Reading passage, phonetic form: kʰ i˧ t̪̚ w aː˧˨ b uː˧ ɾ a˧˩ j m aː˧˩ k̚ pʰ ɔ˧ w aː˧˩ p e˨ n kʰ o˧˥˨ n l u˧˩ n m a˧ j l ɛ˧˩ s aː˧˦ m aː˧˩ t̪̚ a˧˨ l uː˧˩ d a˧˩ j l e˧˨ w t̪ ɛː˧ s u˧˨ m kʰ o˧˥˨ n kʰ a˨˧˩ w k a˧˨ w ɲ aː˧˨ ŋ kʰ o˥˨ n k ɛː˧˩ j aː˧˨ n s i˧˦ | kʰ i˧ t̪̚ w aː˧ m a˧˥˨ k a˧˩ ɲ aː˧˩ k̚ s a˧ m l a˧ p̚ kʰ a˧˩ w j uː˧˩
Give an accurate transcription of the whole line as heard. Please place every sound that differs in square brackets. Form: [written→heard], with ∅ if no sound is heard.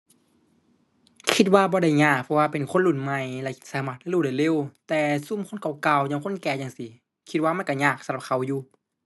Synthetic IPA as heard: kʰ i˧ t̪̚ w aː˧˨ b [uː˧→ɔː˧] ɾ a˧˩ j [m→ɲ] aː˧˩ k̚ pʰ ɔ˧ w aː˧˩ p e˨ n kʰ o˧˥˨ n l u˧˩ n m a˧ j l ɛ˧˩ s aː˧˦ m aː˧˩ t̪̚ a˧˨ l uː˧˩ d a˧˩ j l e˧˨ w t̪ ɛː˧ s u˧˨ m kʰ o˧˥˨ n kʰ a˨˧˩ w k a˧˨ w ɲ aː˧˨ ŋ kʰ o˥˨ n k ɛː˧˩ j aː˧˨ [n→ŋ] s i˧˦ | kʰ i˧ t̪̚ w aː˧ m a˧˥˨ k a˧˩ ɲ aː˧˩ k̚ s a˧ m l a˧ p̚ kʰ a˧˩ w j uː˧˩